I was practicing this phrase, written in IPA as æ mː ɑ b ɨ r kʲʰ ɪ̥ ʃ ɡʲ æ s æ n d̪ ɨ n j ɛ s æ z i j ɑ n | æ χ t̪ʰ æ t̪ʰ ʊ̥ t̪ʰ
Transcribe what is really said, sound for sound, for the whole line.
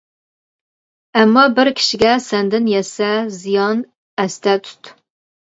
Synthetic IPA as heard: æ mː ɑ b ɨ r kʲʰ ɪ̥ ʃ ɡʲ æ s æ n d̪ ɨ n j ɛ s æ z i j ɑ n | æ s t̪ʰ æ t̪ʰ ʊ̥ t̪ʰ